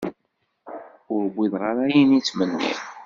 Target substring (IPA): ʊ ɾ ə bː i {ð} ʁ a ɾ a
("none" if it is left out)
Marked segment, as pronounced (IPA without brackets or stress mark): ð